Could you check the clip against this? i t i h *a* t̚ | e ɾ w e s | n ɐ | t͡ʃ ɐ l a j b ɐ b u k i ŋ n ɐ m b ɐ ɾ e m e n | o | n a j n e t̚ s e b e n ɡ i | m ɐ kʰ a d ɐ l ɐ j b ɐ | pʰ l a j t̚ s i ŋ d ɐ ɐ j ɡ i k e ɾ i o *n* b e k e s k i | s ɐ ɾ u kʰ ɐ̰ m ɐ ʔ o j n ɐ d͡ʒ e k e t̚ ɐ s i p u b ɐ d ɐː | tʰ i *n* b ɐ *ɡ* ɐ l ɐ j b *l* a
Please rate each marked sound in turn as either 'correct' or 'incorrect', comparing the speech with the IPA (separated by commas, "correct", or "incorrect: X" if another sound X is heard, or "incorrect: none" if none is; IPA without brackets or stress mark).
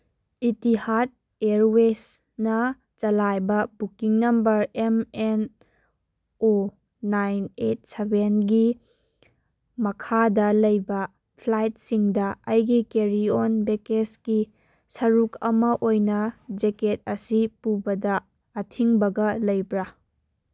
correct, correct, incorrect: ŋ, correct, incorrect: ɾ